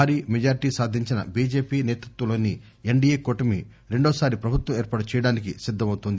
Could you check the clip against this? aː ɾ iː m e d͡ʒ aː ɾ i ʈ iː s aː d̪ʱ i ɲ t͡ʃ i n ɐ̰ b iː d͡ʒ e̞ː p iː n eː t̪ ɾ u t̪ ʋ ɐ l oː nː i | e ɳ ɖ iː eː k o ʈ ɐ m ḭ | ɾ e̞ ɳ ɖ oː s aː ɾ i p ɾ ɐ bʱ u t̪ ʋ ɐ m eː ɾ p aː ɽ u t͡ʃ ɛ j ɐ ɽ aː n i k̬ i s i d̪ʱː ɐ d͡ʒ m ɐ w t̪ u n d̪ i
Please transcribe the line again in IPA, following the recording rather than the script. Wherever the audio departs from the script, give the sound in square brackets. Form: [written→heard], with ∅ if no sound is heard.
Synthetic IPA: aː ɾ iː m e d͡ʒ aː ɾ i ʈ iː s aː d̪ʱ i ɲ t͡ʃ i n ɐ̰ b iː d͡ʒ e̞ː p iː n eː t̪ ɾ u t̪ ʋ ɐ l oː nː i | e ɳ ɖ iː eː k o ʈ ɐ m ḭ | ɾ e̞ ɳ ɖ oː s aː ɾ i p ɾ ɐ bʱ u t̪ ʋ ɐ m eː ɾ p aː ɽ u t͡ʃ ɛ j ɐ ɽ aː n i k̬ i s i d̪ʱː ɐ [d͡ʒ→∅] m ɐ w t̪ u n d̪ i